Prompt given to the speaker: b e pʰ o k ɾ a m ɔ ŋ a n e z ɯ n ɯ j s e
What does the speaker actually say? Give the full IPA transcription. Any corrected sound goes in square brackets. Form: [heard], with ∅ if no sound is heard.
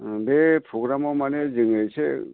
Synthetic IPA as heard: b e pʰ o [ɡ] ɾ a m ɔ [m] a n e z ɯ [ŋ] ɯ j s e